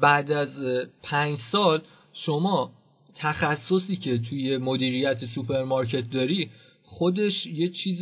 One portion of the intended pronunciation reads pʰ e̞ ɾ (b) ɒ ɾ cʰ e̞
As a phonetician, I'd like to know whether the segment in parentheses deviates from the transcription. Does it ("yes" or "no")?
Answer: yes